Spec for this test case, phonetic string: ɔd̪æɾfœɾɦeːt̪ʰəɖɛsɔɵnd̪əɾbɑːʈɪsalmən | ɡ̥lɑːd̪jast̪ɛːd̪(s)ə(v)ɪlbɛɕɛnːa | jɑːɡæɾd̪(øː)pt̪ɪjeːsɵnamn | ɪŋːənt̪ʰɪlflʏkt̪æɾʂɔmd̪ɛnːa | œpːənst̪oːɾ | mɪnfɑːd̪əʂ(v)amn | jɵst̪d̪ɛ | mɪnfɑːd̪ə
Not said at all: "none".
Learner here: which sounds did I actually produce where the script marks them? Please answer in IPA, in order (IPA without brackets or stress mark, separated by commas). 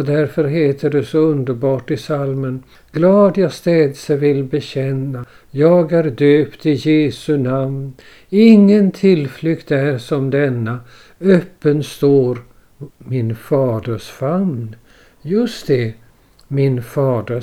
s, v, øː, f